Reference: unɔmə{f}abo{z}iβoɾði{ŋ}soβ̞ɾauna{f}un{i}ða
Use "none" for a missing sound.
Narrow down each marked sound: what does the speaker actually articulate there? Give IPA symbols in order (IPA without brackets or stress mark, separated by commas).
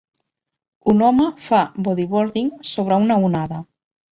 f, ð, ŋ, none, a